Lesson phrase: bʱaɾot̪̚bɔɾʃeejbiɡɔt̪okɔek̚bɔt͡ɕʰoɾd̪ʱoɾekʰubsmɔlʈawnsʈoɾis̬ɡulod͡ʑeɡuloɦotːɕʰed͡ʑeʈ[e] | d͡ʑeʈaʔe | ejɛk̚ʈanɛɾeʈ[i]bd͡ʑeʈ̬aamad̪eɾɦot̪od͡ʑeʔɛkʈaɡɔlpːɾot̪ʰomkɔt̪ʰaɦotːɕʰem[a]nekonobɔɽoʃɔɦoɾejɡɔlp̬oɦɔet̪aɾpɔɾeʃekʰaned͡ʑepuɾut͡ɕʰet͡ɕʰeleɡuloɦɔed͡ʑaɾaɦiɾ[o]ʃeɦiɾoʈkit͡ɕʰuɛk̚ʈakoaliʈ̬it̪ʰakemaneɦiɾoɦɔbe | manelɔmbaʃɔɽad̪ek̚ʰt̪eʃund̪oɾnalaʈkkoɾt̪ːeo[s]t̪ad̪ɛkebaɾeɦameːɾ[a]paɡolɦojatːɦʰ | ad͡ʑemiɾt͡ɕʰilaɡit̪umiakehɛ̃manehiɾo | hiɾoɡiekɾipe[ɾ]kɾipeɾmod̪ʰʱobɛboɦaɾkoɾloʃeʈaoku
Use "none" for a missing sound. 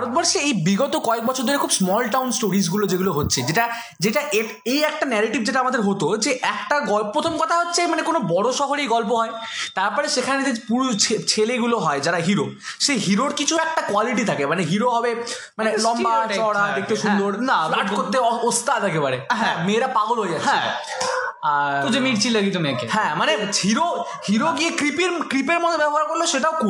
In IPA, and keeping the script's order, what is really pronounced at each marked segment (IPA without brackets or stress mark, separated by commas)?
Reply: a, i, a, o, s, a, ɾ